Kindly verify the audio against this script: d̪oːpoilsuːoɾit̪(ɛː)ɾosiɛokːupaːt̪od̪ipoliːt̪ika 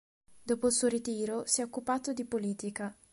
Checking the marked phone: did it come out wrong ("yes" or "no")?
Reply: yes